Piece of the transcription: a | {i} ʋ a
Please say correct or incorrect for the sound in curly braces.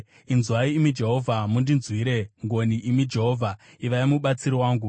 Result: correct